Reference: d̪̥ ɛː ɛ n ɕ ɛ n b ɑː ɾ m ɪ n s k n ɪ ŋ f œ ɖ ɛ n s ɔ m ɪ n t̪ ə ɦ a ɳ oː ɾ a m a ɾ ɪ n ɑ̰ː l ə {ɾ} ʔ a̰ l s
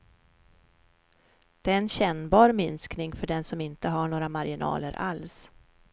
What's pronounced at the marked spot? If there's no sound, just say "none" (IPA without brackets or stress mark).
ɾ